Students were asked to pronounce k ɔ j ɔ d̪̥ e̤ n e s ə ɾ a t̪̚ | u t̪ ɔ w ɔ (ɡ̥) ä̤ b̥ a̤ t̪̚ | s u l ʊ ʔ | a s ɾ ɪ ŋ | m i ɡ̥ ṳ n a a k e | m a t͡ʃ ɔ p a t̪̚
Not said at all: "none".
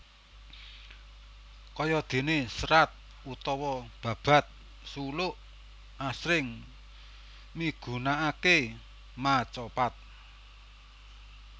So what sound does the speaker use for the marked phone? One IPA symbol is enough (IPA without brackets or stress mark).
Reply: b̥